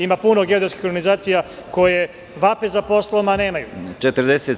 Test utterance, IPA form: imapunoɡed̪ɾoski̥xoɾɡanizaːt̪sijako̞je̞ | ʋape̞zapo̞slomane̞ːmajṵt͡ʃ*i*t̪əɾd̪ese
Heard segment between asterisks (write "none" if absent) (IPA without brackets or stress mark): e